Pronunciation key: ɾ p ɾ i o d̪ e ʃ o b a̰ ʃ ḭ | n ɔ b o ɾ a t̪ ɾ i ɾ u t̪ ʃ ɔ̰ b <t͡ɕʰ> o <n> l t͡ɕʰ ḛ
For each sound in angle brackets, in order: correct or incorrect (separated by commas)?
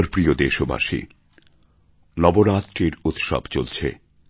incorrect, incorrect